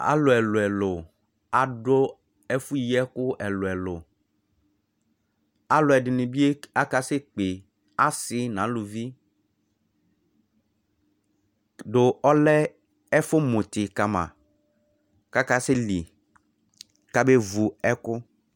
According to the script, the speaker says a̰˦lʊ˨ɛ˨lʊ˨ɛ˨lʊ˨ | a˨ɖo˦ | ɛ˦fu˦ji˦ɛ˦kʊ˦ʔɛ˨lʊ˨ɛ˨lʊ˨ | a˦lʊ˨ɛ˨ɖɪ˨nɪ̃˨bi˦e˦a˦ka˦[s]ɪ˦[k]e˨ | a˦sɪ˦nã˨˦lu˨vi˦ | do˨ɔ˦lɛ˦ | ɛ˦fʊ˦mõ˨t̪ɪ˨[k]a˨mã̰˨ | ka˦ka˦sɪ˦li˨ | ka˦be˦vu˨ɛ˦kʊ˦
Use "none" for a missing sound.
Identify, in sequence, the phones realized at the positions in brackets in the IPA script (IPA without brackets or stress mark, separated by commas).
s, k͡p, k